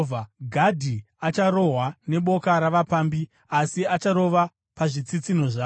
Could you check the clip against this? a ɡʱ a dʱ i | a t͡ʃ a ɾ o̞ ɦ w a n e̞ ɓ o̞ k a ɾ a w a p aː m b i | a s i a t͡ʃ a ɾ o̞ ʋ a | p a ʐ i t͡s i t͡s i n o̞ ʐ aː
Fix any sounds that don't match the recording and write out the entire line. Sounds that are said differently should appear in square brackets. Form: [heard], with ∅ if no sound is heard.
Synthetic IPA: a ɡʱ a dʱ i | a t͡ʃ a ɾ o̞ ɦ w a n e̞ ɓ o̞ k a ɾ a [ʋ] a p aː m b i | a s i a t͡ʃ a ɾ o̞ ʋ a | p a ʐ i t͡s i t͡s i n o̞ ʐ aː